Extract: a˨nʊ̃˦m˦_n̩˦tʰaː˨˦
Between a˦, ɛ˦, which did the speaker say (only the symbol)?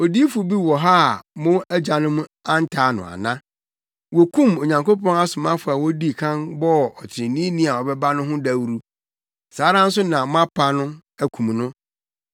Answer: a˦